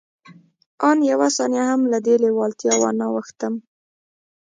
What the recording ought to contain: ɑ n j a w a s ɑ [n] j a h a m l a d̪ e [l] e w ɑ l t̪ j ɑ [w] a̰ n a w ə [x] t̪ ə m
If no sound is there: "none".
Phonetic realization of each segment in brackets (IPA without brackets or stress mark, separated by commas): n, l, w, x